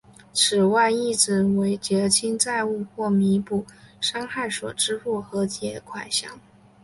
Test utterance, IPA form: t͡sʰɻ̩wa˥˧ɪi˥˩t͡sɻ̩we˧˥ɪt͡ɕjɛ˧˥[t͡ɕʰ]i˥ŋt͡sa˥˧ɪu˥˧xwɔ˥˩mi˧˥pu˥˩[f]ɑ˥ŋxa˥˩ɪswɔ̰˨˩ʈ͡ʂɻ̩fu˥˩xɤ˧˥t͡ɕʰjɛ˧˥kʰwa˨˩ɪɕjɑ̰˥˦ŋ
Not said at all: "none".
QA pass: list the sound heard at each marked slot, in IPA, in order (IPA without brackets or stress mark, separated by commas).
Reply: t͡ɕʰ, ʂ